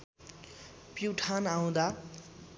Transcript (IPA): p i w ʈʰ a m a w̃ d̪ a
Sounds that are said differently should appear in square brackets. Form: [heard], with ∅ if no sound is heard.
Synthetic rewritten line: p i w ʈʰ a [n] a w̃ d̪ a

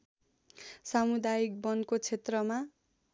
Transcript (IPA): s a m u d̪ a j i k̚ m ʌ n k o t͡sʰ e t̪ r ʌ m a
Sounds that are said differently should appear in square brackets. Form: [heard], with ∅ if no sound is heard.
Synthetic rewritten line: s a m u d̪ a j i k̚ [b] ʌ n k o t͡sʰ e t̪ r ʌ m a

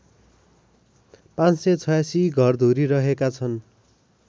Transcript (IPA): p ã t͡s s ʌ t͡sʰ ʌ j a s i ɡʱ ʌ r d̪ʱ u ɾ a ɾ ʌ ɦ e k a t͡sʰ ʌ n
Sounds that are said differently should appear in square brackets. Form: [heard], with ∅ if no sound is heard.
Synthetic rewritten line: p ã t͡s s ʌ t͡sʰ ʌ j a s i ɡʱ ʌ r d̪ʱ u ɾ [i] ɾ ʌ ɦ e k a t͡sʰ ʌ n

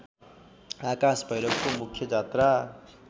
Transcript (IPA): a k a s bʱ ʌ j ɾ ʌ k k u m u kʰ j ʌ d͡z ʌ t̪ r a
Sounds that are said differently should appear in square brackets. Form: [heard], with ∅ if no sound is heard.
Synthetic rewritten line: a k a s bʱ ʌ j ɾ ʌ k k [o] m u kʰ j ʌ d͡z [a] t̪ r a

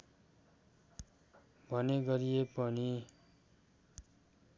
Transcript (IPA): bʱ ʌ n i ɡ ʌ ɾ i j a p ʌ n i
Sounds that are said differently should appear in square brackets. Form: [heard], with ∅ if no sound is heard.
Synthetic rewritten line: bʱ ʌ n [e] ɡ ʌ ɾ i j [e] p ʌ n i

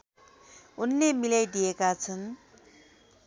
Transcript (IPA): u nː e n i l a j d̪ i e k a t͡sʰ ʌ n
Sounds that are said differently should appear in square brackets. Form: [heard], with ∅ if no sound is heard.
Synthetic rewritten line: u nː e [m] i l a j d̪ i e k a t͡sʰ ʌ n

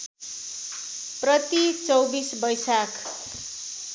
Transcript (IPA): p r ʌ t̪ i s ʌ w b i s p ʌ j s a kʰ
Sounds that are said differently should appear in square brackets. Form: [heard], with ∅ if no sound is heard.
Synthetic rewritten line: p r ʌ t̪ i [t͡s] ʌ w b i s [b] ʌ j s a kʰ

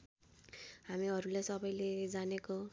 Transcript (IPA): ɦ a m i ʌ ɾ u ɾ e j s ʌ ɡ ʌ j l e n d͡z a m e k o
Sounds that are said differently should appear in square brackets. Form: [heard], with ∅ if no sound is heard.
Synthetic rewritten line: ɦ a m i ʌ ɾ u [l] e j s ʌ [b] ʌ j l e [∅] d͡z a [n] e k o

